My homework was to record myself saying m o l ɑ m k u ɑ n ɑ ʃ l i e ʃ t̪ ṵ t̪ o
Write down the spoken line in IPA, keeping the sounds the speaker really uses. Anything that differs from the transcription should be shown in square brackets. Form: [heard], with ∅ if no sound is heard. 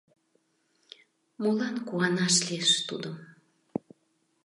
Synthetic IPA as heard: m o l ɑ [n] k u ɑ n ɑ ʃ l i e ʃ t̪ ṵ [d̪] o